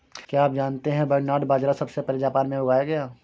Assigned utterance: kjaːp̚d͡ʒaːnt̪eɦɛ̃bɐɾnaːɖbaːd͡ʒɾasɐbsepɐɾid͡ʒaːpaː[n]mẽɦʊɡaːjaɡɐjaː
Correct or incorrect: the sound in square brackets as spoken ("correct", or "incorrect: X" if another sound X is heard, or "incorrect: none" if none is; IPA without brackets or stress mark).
correct